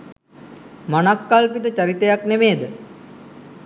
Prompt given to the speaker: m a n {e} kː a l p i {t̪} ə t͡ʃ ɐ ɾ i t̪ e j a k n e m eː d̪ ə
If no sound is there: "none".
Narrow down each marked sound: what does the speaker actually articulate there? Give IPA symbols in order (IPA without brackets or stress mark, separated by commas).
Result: a, t̪